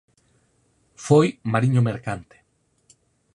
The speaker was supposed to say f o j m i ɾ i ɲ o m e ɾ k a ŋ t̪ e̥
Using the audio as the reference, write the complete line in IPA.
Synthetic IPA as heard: f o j m a ɾ i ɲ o m e ɾ k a n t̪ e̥